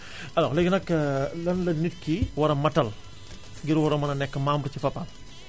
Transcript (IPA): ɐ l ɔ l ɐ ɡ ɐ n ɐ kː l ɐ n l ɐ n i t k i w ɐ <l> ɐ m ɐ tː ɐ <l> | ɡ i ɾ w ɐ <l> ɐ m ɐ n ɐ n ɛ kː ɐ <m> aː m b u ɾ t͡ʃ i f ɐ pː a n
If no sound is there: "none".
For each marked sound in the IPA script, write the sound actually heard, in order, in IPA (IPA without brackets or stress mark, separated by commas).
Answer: ɾ, l, ɾ, m